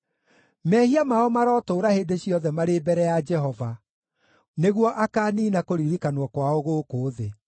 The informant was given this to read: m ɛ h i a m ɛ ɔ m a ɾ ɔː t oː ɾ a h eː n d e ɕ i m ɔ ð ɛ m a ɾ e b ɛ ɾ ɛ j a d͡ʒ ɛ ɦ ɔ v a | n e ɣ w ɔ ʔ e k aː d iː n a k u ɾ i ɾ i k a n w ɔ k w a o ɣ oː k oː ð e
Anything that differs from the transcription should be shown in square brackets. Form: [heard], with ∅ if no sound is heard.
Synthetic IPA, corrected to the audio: m ɛ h i a m [a] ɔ m a ɾ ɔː t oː ɾ a h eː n d e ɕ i [∅] ɔ ð ɛ m a ɾ e b ɛ ɾ ɛ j a d͡ʒ ɛ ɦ ɔ v a | n e ɣ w ɔ ʔ [a] k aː [n] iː n a k [o] ɾ i ɾ i k a n w ɔ k w a o ɣ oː k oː ð e